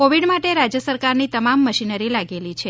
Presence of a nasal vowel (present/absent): absent